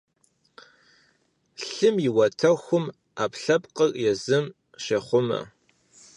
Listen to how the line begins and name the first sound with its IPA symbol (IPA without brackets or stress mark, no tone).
ɬ